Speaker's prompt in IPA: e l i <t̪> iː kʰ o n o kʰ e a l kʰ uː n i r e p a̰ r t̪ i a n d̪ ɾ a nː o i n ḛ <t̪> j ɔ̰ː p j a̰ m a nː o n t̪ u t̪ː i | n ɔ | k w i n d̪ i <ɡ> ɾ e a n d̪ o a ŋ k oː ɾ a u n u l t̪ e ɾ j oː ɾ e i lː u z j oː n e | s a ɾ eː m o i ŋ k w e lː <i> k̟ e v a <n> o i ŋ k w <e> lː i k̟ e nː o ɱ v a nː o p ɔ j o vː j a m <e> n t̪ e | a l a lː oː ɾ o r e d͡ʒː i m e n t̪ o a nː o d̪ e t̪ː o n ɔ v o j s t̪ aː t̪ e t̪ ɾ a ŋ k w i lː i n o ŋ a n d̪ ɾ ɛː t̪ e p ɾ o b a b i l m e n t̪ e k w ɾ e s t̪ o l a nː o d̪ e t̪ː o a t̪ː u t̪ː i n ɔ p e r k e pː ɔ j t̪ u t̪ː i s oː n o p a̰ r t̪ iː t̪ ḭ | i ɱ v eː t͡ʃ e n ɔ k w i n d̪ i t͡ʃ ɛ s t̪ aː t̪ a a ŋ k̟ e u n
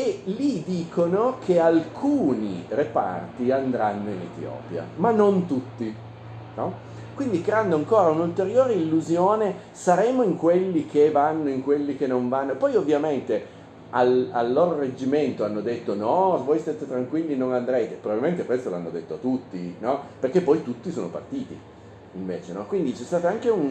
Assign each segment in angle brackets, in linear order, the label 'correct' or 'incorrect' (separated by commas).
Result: incorrect, correct, incorrect, correct, incorrect, correct, correct